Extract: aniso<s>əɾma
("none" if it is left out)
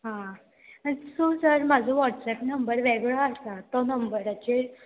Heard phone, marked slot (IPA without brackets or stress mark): s